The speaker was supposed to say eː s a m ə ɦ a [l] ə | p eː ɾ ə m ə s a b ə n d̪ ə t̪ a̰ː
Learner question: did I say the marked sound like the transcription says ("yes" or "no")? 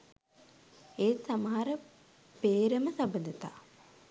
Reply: no